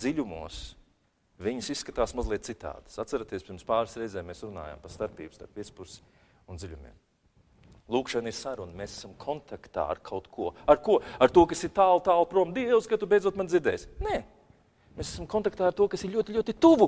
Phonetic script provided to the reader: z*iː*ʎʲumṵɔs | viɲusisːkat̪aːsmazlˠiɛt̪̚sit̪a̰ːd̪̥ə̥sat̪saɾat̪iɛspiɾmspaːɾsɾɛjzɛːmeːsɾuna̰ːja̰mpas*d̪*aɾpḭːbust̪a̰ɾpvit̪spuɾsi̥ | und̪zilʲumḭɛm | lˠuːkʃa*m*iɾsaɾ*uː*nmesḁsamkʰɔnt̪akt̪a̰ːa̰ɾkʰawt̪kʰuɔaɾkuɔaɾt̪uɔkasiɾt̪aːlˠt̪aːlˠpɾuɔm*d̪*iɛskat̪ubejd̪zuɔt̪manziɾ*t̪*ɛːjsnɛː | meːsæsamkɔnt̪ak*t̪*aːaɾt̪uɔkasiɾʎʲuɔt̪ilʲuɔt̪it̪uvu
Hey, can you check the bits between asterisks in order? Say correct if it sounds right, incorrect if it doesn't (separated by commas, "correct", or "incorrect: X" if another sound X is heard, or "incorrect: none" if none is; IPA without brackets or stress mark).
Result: incorrect: i, incorrect: t̪, incorrect: n, incorrect: u, correct, incorrect: d̪, correct